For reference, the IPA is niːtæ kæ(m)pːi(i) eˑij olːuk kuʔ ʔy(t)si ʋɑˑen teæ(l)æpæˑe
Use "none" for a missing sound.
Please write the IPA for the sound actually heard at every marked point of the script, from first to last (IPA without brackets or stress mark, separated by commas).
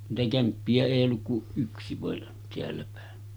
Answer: m, æ, k, lː